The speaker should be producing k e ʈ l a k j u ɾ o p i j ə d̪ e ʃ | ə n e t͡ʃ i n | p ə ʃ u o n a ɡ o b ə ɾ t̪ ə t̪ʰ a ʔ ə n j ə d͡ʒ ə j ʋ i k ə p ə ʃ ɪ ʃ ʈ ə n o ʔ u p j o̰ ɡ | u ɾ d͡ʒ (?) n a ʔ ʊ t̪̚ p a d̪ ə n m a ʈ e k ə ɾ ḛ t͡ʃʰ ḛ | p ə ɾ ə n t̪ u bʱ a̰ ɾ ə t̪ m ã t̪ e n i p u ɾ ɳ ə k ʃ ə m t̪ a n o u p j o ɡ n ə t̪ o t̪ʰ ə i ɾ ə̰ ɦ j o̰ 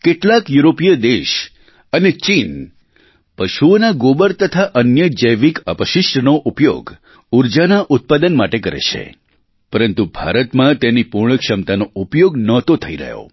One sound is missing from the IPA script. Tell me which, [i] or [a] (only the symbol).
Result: a